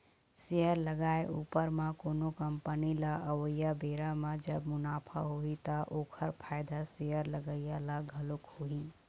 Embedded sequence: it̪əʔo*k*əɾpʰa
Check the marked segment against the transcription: incorrect: kʰ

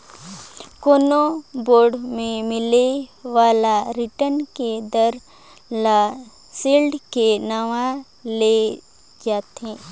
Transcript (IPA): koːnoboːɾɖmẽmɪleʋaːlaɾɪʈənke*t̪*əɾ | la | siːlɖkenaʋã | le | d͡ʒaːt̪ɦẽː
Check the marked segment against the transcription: incorrect: d̪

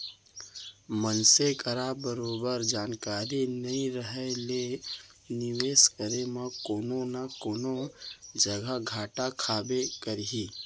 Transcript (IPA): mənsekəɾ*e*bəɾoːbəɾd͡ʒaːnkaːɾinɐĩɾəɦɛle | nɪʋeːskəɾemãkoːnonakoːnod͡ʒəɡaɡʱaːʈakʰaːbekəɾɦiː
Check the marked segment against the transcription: incorrect: a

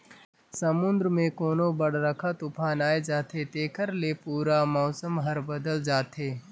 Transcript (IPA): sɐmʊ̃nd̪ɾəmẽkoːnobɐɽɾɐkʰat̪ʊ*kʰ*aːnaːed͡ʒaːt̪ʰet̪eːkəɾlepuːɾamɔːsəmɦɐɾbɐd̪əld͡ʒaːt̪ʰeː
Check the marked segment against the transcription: incorrect: pʰ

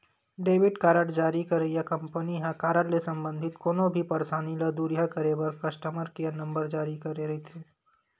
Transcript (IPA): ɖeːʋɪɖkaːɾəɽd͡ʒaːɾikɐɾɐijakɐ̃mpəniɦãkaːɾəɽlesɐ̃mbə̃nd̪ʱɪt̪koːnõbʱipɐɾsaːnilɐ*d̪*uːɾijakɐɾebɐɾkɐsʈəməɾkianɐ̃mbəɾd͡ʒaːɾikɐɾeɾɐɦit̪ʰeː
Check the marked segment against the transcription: correct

